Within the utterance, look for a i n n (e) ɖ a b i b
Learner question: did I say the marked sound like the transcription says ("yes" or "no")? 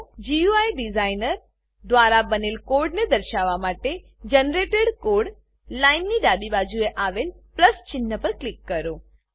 no